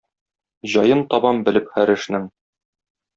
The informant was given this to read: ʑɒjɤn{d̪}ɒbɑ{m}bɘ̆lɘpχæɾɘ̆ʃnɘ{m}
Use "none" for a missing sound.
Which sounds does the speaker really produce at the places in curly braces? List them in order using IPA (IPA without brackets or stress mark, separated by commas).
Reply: t̪, m, ŋ